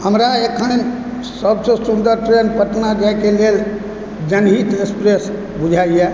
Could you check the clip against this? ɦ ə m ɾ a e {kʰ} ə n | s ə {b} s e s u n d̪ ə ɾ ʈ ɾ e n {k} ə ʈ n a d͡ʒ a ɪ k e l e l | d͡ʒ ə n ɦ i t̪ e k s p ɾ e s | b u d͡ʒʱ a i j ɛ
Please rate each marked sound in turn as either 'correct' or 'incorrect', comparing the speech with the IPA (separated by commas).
correct, correct, incorrect